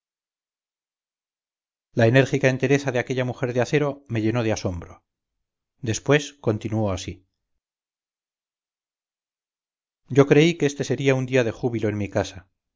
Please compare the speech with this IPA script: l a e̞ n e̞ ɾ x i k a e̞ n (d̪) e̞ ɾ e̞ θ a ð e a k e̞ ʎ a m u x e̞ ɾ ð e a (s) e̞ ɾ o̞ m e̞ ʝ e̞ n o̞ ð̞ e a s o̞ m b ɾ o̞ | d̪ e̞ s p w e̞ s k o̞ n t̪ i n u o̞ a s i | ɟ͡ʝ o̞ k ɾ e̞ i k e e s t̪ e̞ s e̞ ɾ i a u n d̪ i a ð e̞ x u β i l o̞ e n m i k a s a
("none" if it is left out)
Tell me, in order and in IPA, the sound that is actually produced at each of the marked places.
t̪, θ

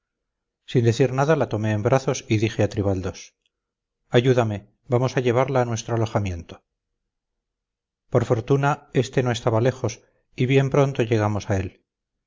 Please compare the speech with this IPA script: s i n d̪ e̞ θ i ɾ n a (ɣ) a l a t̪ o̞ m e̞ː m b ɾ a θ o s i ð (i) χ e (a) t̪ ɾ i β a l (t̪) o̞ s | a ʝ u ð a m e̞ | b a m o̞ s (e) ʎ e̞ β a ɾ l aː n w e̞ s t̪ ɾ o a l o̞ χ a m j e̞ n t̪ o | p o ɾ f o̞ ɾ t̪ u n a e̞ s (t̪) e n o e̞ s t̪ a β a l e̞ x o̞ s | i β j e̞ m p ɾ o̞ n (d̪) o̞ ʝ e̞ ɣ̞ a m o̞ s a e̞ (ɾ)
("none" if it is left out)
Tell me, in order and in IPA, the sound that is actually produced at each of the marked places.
ð, i, a, d̪, a, t̪, t̪, l

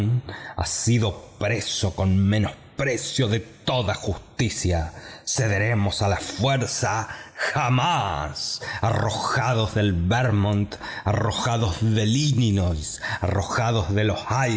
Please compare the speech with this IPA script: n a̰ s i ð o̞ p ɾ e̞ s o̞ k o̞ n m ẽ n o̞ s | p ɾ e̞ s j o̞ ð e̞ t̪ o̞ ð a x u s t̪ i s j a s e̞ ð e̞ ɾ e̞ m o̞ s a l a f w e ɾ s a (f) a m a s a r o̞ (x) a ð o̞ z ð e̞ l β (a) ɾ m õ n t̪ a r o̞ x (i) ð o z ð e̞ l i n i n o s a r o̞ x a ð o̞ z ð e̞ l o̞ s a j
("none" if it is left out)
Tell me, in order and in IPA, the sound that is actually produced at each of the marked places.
x, x, e, a

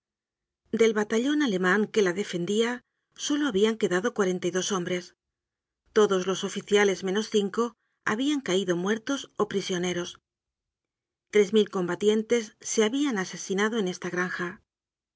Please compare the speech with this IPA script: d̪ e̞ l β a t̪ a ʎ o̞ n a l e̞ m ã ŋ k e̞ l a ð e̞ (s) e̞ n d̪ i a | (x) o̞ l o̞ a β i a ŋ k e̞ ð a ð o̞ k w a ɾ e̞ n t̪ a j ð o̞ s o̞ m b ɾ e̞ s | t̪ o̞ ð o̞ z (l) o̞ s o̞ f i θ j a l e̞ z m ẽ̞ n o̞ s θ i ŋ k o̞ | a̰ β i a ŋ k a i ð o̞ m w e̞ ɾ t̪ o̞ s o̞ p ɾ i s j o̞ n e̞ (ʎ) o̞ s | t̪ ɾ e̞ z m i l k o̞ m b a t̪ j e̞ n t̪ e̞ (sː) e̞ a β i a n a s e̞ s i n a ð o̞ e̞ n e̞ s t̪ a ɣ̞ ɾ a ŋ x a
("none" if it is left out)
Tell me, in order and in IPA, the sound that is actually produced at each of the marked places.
f, s, l, ɾ, sː

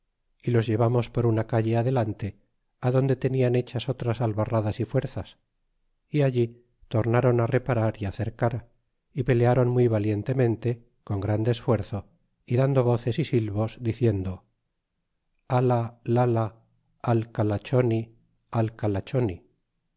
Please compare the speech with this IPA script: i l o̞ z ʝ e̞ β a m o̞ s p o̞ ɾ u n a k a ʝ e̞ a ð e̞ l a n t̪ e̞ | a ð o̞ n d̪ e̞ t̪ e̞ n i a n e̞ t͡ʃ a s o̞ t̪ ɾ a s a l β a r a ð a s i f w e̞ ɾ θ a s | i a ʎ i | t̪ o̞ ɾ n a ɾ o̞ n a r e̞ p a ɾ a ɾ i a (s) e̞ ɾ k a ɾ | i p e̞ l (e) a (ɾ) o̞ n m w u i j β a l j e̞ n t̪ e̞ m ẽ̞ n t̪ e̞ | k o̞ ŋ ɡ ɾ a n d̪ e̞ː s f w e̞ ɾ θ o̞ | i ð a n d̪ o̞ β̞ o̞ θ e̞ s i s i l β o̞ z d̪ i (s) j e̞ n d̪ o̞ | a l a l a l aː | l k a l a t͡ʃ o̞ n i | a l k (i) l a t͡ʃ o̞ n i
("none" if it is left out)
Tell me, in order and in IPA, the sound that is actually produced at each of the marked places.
θ, e, ɾ, θ, a

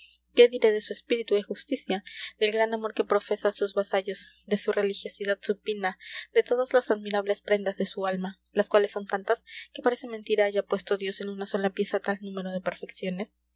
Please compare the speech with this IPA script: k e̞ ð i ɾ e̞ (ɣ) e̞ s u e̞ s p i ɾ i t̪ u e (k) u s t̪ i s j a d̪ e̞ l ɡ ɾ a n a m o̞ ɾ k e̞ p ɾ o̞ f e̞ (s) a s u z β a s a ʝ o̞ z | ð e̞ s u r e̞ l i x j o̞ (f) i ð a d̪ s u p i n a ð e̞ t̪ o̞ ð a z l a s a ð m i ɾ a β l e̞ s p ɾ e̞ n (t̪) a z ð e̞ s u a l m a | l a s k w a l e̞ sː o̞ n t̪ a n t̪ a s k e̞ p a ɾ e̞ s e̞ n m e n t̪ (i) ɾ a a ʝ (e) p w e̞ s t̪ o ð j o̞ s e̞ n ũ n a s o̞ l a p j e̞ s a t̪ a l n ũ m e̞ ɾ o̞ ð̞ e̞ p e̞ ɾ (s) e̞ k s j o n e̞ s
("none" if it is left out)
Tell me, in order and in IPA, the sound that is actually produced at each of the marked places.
ð, x, s, s, d̪, i, a, f

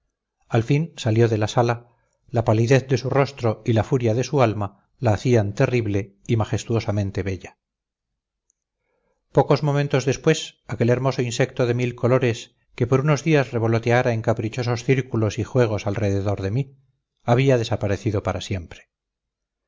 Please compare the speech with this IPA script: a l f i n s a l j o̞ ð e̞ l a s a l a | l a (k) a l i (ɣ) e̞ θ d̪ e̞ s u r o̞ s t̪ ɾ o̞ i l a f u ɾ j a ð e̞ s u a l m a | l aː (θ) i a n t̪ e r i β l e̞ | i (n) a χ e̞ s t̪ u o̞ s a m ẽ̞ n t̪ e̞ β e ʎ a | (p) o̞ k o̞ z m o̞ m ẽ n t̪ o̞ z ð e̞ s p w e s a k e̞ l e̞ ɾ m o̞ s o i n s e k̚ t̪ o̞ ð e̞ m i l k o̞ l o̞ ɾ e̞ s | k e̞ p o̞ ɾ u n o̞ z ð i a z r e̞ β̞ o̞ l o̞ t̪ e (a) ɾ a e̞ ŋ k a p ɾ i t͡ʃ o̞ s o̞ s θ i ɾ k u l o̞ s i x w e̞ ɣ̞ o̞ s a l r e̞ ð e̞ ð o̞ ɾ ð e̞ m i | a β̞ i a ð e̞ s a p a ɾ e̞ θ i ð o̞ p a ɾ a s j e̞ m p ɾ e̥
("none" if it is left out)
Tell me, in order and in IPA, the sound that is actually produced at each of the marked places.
p, ð, θ, m, p, a

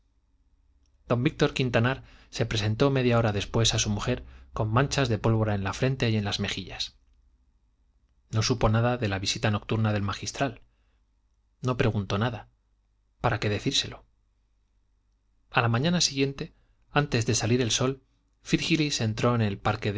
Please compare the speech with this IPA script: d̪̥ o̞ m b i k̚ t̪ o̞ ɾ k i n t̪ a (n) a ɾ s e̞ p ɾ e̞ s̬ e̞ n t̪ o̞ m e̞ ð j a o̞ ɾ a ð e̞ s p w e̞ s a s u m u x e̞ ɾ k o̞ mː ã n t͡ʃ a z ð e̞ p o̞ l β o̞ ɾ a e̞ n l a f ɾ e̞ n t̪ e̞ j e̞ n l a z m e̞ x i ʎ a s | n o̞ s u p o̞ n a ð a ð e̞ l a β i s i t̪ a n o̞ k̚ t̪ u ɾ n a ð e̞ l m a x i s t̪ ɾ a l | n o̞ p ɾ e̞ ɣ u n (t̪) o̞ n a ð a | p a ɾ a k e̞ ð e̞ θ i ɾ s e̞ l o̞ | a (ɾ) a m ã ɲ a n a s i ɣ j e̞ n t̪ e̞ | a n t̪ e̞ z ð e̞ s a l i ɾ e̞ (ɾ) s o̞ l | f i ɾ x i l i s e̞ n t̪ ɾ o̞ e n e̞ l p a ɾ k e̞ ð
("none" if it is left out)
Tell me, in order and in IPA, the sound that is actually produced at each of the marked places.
n, t̪, l, l

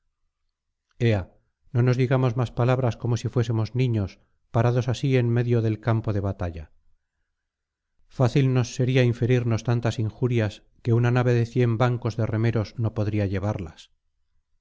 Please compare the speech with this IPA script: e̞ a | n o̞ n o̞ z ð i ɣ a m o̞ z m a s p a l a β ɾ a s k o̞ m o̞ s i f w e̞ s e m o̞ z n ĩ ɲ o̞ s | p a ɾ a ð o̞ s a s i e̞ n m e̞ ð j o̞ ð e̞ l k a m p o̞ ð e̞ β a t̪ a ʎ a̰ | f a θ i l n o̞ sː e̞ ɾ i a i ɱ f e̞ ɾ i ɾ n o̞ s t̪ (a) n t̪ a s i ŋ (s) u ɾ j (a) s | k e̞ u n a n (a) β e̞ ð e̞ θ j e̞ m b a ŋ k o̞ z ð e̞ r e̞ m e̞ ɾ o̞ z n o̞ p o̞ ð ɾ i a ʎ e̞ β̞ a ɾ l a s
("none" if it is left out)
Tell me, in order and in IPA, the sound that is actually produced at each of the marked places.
a, x, a, a

